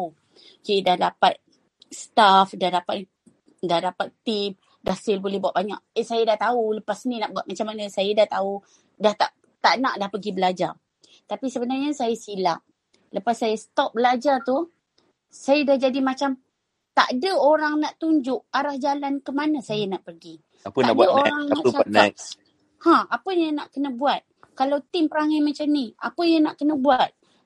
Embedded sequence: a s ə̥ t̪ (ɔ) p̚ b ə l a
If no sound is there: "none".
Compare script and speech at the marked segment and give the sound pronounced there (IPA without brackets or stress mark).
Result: ɔ